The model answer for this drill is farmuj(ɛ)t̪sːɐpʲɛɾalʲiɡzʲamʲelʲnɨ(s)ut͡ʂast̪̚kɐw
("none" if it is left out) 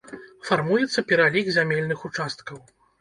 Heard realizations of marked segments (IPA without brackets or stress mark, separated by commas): ɛ, x